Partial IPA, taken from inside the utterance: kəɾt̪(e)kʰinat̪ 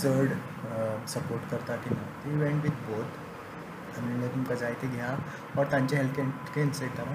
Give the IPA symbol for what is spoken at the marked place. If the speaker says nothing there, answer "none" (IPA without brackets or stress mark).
a